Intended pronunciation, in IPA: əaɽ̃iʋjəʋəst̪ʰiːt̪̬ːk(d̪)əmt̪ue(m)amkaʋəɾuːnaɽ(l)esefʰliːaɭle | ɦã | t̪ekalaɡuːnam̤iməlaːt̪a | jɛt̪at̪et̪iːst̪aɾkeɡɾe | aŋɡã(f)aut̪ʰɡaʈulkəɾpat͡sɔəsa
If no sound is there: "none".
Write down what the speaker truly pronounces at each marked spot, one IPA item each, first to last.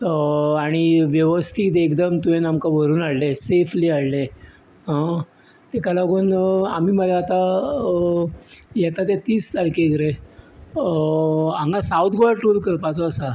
d̪, n, l, s

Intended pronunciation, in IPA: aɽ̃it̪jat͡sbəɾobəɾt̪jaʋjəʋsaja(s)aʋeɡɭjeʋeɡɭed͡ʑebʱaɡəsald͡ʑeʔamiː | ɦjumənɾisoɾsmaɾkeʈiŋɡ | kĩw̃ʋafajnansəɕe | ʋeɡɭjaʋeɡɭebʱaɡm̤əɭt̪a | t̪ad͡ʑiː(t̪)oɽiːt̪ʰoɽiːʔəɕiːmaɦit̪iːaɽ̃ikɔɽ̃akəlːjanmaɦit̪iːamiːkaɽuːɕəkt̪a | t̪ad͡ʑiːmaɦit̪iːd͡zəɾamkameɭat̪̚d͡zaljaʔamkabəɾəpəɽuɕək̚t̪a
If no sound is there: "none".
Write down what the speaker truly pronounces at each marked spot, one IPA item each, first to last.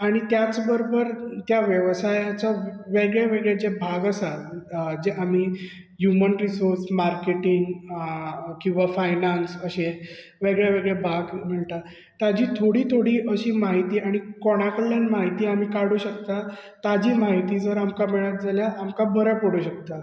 t͡s, t̪ʰ

